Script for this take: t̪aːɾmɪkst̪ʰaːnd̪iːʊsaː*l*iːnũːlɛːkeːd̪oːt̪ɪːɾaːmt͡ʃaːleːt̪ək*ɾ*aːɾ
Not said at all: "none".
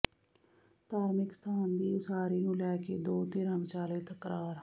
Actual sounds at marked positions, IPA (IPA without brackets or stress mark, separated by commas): ɾ, ɾ